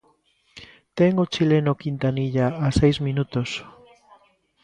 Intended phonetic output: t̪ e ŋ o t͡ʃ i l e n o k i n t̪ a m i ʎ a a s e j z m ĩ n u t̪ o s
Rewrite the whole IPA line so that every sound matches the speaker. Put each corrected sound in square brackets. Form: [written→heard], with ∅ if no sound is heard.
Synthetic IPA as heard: t̪ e ŋ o t͡ʃ i l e n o k i n t̪ a [m→n] i ʎ a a s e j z m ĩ n u t̪ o s